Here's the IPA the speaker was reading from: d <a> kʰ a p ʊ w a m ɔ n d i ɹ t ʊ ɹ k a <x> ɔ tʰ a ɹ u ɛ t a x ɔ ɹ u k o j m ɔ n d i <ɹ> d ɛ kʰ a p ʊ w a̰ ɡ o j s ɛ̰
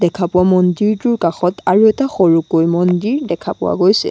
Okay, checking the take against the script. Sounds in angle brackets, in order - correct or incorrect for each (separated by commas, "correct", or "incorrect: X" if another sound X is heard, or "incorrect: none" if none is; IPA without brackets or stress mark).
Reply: incorrect: ɛ, correct, correct